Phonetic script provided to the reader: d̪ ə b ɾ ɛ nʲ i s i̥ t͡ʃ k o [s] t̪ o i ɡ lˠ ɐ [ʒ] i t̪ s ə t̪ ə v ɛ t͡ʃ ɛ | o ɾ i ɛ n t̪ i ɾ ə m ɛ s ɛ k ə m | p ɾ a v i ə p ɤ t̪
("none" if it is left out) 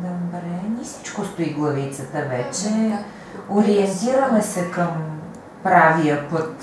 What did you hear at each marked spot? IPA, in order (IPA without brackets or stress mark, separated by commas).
s, v